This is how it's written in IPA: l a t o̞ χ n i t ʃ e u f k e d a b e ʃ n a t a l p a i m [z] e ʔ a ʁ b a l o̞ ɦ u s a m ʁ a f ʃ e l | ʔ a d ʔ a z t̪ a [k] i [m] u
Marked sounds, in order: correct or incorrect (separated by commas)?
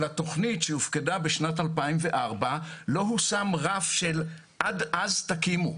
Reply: incorrect, correct, correct